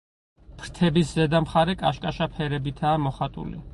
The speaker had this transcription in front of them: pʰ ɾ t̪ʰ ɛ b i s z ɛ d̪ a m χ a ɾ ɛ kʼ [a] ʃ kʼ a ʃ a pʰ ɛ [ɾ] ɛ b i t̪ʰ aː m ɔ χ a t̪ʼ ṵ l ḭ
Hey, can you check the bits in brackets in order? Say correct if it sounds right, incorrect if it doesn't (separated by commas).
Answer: correct, correct